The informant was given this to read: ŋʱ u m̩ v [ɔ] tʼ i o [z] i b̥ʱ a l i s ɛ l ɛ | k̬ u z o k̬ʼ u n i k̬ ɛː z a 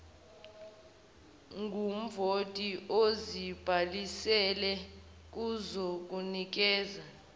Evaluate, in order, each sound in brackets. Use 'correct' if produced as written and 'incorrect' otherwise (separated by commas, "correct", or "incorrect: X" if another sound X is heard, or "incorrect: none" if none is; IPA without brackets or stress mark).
incorrect: o, correct